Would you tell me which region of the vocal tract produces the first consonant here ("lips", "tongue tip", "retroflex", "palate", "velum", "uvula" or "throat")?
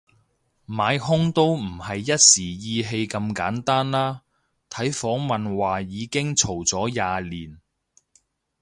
lips